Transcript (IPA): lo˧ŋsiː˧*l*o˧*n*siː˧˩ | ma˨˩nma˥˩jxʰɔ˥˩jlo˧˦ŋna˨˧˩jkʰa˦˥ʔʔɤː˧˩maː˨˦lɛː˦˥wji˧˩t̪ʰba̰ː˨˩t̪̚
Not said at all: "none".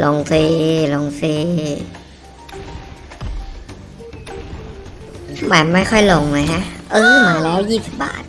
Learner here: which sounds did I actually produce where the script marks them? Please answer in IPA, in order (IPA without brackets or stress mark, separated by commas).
l, ŋ